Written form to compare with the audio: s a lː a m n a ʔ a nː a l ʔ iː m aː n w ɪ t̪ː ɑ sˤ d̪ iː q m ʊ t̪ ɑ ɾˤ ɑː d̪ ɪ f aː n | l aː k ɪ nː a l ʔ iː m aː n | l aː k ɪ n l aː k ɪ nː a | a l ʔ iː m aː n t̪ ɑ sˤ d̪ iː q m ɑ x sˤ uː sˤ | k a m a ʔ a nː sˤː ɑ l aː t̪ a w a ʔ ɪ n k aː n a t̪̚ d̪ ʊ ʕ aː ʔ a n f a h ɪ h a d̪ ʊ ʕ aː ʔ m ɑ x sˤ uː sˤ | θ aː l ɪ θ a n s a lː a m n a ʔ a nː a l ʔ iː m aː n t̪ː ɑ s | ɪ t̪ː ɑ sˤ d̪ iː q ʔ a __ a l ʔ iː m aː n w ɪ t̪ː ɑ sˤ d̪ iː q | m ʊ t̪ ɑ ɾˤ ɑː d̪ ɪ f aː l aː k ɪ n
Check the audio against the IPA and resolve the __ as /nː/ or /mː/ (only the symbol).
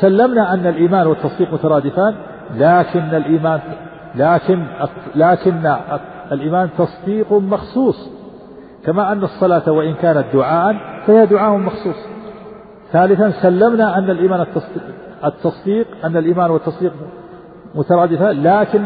nː